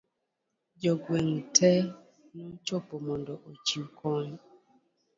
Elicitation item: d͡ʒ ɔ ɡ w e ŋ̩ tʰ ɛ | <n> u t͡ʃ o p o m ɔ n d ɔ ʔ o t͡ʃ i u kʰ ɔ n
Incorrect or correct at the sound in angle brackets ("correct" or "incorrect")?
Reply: correct